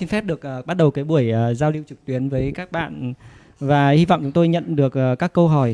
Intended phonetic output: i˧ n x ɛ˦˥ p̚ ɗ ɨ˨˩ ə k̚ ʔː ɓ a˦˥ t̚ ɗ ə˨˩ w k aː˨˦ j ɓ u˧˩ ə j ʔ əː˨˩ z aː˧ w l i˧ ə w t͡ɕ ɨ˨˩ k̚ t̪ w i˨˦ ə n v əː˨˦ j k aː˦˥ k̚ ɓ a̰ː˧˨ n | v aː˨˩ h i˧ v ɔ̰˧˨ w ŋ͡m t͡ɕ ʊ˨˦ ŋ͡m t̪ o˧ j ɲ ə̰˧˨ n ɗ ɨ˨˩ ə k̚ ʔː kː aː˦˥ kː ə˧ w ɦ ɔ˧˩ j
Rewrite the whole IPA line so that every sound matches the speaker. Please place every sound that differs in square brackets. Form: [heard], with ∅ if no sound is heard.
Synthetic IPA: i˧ n [f] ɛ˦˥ p̚ ɗ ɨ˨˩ ə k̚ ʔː ɓ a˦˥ t̚ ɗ ə˨˩ w k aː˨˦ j ɓ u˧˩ ə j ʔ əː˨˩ z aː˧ w l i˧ ə w t͡ɕ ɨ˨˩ k̚ t̪ w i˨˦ ə n v əː˨˦ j k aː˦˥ k̚ ɓ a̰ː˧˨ n | v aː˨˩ h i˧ v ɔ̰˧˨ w ŋ͡m t͡ɕ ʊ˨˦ ŋ͡m t̪ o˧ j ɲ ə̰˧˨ n ɗ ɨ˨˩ ə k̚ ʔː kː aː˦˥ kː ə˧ w ɦ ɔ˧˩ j